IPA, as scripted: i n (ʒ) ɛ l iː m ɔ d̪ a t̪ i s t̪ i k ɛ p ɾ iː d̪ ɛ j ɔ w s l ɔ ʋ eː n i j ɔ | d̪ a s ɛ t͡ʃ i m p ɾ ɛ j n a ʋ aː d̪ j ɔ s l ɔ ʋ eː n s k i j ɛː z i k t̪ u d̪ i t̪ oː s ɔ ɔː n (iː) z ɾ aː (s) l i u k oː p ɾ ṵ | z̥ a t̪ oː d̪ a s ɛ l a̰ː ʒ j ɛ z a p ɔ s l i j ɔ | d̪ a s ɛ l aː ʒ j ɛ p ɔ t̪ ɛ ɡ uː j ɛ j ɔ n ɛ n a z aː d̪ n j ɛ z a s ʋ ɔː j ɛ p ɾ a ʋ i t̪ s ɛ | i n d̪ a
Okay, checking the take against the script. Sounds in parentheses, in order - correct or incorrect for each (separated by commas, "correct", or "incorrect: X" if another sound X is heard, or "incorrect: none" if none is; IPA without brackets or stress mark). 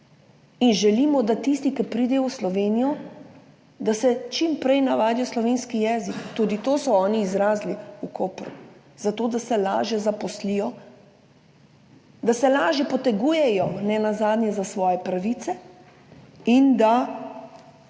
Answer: correct, correct, incorrect: z